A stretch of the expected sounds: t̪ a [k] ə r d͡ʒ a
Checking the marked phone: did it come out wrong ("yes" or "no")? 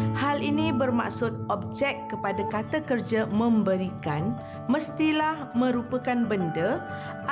no